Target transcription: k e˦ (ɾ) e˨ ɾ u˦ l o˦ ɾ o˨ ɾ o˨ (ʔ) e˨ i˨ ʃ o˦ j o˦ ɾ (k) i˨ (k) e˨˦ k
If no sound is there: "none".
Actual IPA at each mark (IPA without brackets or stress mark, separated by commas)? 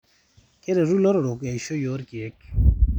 ɾ, k, k, none